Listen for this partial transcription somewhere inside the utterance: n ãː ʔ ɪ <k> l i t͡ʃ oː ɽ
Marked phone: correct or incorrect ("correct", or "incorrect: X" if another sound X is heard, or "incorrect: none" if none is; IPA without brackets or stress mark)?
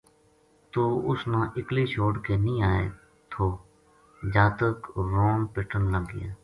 correct